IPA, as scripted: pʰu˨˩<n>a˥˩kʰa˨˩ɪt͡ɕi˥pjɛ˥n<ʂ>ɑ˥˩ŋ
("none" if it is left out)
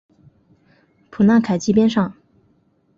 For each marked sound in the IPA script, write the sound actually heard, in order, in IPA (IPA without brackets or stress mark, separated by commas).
n, ʂ